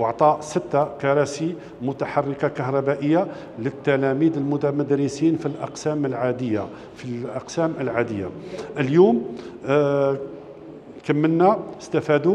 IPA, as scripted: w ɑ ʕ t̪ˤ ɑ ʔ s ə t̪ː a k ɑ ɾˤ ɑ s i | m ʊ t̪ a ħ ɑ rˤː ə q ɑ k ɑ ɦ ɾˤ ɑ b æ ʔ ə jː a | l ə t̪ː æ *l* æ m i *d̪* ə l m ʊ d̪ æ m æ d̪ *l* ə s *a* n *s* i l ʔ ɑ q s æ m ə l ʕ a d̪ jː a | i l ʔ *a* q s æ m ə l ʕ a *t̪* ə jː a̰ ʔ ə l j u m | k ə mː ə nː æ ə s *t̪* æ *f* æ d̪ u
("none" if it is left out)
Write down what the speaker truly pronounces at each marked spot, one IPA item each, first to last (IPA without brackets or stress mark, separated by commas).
l, d̪, ɾ, i, f, ɑ, d̪, t̪, f